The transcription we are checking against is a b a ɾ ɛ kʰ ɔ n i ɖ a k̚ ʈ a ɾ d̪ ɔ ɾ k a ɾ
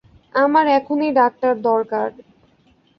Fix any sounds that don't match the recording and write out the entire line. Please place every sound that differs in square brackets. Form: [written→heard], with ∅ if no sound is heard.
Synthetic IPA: a [b→m] a ɾ ɛ kʰ [ɔ→o] n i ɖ a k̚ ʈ a ɾ d̪ ɔ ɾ k a ɾ